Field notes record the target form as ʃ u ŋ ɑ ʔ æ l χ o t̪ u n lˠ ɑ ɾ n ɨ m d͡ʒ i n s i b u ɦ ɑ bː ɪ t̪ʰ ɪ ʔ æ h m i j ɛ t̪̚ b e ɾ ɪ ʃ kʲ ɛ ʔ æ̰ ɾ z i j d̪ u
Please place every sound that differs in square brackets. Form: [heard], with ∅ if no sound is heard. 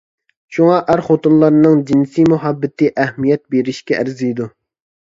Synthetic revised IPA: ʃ u ŋ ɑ ʔ æ [ɾ] χ o t̪ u n lˠ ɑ ɾ n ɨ [ŋ] d͡ʒ i n s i [m] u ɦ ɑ bː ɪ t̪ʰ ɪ ʔ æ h m i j ɛ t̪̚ b e ɾ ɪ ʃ kʲ ɛ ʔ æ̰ ɾ z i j d̪ u